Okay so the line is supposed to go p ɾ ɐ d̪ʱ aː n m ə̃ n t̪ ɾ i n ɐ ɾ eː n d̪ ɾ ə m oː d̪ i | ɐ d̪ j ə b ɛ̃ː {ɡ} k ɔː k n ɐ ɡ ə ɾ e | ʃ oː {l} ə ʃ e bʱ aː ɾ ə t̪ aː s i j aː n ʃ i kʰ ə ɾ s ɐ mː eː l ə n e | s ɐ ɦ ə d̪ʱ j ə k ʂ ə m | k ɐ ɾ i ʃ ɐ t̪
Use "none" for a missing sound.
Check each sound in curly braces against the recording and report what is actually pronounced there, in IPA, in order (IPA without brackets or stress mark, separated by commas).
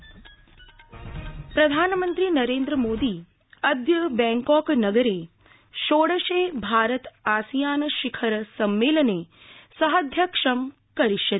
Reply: ŋ, ɽ